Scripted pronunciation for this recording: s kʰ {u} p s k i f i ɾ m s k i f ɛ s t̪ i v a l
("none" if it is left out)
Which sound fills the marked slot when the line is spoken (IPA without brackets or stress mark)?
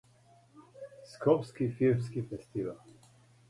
ɔ